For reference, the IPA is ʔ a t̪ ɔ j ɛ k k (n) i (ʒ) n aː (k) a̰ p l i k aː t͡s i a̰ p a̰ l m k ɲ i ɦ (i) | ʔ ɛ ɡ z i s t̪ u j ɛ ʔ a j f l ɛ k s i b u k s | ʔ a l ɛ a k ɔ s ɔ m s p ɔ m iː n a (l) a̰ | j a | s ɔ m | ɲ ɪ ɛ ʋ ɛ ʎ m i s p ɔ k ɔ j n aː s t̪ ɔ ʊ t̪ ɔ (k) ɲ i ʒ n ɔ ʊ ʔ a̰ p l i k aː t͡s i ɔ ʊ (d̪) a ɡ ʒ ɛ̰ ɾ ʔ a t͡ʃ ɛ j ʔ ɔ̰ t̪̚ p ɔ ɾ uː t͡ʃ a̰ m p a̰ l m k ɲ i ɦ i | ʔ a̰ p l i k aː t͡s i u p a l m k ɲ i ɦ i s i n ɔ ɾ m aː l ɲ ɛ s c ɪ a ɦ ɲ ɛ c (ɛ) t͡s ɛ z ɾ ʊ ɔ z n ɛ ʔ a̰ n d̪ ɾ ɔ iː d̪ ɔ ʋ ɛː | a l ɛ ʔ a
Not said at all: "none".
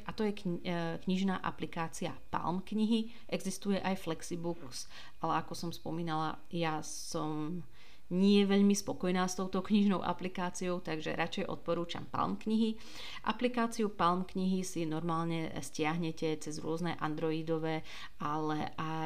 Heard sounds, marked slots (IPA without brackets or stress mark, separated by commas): ɲ, ʒ, ʔ, i, l, k, t̪, ɛ